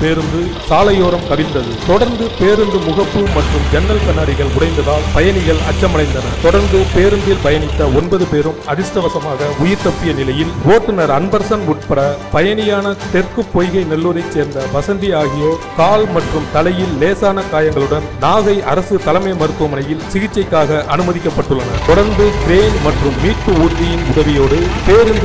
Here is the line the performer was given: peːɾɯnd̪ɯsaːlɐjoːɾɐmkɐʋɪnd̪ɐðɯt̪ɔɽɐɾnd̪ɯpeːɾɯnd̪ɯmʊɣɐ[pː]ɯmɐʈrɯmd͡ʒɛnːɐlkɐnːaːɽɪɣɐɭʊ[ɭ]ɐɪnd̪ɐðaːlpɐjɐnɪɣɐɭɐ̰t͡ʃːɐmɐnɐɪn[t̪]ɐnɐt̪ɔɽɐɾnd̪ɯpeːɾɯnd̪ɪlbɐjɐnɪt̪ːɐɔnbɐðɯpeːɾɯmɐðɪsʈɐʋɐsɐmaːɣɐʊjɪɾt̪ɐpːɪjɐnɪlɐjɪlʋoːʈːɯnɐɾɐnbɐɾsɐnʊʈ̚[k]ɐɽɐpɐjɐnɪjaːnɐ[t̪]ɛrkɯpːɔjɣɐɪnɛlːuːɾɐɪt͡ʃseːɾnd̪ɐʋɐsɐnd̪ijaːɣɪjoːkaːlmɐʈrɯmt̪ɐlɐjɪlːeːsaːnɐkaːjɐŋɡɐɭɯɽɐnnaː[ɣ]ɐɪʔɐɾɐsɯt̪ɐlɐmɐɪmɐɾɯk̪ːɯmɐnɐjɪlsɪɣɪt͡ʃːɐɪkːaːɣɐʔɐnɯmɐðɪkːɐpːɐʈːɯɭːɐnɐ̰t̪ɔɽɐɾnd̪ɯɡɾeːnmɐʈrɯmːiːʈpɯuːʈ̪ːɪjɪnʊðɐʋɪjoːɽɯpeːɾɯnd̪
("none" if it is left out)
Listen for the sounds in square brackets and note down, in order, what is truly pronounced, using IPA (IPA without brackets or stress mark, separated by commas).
pː, ɽ, d̪, p, t̪, ɣ